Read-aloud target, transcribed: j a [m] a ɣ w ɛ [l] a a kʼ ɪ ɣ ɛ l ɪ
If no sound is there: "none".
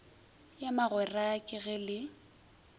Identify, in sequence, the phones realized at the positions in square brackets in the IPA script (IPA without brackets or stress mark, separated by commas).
m, r